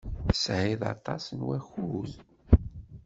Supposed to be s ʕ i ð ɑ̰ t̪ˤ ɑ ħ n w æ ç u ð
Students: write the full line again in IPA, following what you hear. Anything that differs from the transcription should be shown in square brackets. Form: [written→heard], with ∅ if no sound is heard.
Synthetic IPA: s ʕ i ð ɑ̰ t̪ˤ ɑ [ħ→s] n w æ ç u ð